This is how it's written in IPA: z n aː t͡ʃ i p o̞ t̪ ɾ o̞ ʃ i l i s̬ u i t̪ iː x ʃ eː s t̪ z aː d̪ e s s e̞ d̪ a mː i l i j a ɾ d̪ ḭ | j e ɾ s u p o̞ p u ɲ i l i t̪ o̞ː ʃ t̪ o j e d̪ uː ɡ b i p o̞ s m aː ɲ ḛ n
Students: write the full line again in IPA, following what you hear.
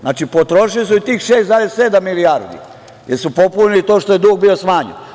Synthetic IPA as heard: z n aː t͡ʃ i p o̞ t̪ ɾ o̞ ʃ i l i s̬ u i t̪ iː x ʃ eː s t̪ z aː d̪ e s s e̞ d̪ a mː i l i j a ɾ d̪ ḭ | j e ɾ s u p o̞ p u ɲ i l i t̪ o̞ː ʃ t̪ o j e d̪ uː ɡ b i o̞ s m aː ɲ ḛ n